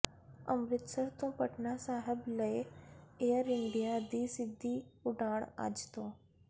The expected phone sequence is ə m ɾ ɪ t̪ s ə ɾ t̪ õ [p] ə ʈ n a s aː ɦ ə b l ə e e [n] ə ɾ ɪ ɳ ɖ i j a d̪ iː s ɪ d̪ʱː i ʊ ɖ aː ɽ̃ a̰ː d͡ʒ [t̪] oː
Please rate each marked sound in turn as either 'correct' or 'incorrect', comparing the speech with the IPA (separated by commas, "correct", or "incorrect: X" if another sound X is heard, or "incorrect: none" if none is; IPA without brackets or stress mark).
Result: correct, incorrect: none, correct